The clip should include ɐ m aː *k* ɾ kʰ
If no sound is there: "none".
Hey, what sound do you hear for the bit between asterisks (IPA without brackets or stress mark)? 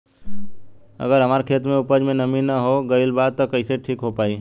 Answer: none